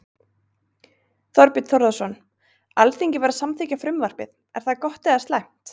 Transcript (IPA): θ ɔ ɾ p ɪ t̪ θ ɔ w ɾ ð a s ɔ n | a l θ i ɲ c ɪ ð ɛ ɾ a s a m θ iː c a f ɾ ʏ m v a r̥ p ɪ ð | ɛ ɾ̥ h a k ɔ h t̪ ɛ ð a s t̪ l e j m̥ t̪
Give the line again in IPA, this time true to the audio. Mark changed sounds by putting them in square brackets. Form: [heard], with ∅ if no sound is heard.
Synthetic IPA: θ ɔ ɾ p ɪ t̪ θ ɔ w ɾ ð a s ɔ n | a l θ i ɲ c ɪ [v] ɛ ɾ a s a m θ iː c a f ɾ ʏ m v a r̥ p ɪ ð | ɛ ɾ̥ [θ] a k ɔ h t̪ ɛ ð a s t̪ l [a] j m̥ t̪

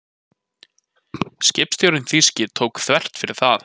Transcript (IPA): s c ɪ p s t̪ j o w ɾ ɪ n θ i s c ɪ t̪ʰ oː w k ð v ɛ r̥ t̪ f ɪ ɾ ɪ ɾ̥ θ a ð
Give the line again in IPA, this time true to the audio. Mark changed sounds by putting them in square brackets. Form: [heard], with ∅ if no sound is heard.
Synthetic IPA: s c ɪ p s t̪ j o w ɾ ɪ n θ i s c ɪ t̪ʰ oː w k [θ] v ɛ r̥ t̪ f ɪ ɾ ɪ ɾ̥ θ a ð

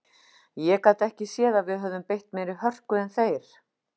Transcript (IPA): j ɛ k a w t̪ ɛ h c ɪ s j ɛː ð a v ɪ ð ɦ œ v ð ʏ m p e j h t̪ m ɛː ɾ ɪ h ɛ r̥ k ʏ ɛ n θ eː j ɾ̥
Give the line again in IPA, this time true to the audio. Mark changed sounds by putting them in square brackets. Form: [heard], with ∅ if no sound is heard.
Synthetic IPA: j ɛ k a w t̪ ɛ h c ɪ s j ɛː ð a v ɪ ð ɦ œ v ð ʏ m p e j h t̪ m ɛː ɾ ɪ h [œ] r̥ k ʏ ɛ n θ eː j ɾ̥

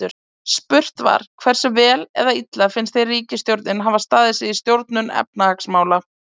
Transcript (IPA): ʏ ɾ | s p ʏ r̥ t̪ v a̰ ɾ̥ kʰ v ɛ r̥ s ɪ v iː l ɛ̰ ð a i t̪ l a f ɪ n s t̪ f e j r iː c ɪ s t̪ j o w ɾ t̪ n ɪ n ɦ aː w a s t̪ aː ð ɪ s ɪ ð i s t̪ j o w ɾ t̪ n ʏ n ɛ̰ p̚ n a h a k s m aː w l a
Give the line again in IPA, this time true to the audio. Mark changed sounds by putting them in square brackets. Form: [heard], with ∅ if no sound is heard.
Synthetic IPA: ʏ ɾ | s p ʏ r̥ t̪ v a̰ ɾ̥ kʰ v ɛ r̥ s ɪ v [ɛː] l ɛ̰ ð a i t̪ l a f ɪ n s t̪ [θ] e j r iː c ɪ s t̪ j o w ɾ t̪ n ɪ n ɦ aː [v] a s t̪ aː ð ɪ s ɪ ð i s t̪ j o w ɾ t̪ n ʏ n ɛ̰ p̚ n a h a k s m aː w l a

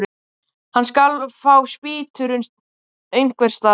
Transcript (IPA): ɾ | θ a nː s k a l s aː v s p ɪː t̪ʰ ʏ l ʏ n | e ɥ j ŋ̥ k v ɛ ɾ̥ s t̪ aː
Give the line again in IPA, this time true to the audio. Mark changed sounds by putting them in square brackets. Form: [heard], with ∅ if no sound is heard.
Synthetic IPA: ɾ | [h] a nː s k a l [f] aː [w] s p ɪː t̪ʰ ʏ [ɾ] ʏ n | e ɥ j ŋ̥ k v ɛ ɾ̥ s t̪ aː

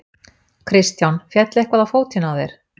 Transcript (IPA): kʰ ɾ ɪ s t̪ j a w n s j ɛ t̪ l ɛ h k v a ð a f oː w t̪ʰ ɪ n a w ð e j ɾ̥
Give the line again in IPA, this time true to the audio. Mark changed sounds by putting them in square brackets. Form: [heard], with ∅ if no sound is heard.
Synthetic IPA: kʰ ɾ ɪ s t̪ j a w n [f] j ɛ t̪ l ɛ h k v a ð a f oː w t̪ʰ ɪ n a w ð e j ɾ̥

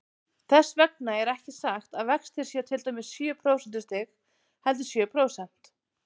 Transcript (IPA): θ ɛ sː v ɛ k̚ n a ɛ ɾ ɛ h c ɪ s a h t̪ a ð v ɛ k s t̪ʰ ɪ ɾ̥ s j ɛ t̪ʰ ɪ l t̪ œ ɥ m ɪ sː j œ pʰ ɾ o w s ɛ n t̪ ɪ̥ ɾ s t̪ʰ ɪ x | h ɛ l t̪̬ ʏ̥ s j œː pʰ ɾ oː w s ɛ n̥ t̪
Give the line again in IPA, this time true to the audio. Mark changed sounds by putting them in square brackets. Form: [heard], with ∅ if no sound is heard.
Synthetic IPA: θ ɛ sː v ɛ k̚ n a ɛ ɾ ɛ h c ɪ s a [x] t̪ a ð v ɛ k s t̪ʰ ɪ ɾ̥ s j ɛ t̪ʰ ɪ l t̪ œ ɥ m ɪ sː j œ pʰ ɾ o w s ɛ n t̪ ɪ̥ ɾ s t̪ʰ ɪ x | h ɛ l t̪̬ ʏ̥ s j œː pʰ ɾ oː w s ɛ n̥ t̪

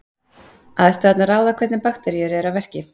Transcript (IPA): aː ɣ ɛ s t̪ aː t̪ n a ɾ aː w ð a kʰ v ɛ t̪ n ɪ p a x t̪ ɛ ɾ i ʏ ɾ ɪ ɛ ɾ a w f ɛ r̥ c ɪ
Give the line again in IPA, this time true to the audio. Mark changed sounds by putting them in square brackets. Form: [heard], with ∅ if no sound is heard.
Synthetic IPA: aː [ð] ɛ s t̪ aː t̪ n a ɾ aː w ð a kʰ v ɛ t̪ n ɪ p a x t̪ ɛ ɾ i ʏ ɾ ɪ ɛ ɾ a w [v] ɛ r̥ c ɪ

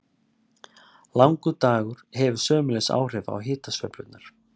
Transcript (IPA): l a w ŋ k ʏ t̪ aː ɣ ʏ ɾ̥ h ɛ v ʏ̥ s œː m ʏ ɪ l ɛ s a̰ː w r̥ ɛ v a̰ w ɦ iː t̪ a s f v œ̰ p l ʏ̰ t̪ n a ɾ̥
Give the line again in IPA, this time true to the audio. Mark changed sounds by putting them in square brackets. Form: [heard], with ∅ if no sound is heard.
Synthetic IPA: l a w ŋ k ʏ t̪ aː ɣ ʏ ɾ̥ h ɛ v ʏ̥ s œː m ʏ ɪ l ɛ s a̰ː w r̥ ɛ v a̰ w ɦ [ɪː] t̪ a s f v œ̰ p l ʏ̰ t̪ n a ɾ̥

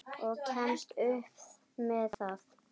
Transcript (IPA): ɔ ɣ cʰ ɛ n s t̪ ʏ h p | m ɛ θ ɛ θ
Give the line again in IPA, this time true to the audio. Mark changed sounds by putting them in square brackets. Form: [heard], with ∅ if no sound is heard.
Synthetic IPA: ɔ ɣ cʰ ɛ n s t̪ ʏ h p | m ɛ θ [a] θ

